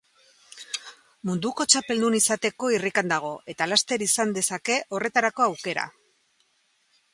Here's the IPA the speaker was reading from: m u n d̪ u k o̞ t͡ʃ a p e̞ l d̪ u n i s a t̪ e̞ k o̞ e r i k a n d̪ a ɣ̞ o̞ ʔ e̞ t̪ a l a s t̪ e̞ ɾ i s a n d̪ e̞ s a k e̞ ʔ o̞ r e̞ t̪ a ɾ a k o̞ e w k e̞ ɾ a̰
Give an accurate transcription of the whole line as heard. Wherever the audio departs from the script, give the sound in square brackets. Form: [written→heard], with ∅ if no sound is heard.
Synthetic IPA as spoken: m u n d̪ u k o̞ t͡ʃ a p e̞ l d̪ u n i s a t̪ e̞ k o̞ [e→i] r i k a n d̪ a ɣ̞ o̞ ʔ e̞ t̪ a l a s t̪ e̞ ɾ i s a n d̪ e̞ s a k e̞ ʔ o̞ r e̞ t̪ a ɾ a k o̞ [e→a] w k e̞ ɾ a̰